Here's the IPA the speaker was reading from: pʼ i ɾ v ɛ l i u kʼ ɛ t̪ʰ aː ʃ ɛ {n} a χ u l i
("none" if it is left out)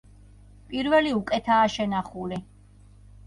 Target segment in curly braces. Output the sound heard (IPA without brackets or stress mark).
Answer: n